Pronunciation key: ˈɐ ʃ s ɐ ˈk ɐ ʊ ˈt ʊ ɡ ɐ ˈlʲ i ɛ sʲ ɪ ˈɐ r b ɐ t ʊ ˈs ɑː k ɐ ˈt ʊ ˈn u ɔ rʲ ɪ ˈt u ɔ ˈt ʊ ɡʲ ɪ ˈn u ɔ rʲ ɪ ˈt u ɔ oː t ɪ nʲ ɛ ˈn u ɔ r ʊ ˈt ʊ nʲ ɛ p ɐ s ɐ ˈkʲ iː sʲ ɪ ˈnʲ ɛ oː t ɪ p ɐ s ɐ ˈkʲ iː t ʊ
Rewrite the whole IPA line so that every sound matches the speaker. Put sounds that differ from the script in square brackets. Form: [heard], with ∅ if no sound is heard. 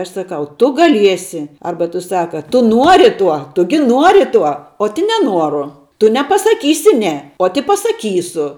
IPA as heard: ˈɐ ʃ s ɐ ˈk ɐ ʊ ˈt ʊ ɡ ɐ ˈlʲ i ɛ sʲ ɪ ˈɐ r b ɐ t ʊ ˈs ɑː k ɐ ˈt ʊ ˈn u ɔ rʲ ɪ ˈt u ɔ ˈt ʊ ɡʲ ɪ ˈn u ɔ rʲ ɪ ˈt u ɔ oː t ɪ nʲ ɛ ˈn u ɔ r ʊ ˈt ʊ nʲ ɛ p ɐ s ɐ ˈkʲ iː sʲ ɪ ˈnʲ ɛ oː t ɪ p ɐ s ɐ ˈkʲ iː [s] ʊ